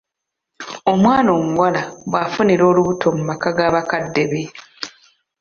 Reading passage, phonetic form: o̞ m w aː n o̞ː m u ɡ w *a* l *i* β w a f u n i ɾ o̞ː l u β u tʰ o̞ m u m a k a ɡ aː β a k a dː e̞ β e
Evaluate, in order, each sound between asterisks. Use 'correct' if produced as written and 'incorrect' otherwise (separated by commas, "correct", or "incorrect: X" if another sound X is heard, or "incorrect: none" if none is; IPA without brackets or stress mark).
correct, incorrect: a